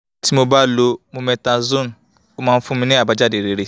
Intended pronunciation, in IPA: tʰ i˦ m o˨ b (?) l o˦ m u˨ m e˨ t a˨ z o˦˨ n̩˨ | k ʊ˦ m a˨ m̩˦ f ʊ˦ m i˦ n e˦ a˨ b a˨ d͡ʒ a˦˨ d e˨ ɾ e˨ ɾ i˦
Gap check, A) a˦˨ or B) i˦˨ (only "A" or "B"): A